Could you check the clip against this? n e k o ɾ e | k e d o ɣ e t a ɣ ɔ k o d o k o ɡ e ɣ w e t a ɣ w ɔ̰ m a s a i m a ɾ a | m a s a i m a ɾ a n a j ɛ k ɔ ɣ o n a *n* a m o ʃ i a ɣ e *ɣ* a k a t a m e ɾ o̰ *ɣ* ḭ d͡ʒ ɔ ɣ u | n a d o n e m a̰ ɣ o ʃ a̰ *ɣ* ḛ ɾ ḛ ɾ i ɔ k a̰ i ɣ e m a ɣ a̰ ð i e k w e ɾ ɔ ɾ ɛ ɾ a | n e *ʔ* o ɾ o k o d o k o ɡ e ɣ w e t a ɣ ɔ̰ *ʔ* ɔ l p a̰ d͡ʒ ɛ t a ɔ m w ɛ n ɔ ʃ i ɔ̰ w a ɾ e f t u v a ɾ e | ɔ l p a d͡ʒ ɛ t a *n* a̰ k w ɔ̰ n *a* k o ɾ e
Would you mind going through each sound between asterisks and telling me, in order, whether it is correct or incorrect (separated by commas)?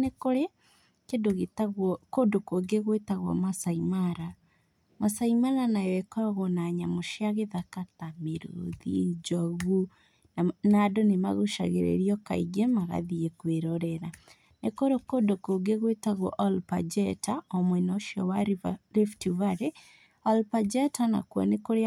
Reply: incorrect, incorrect, incorrect, correct, incorrect, correct, correct, incorrect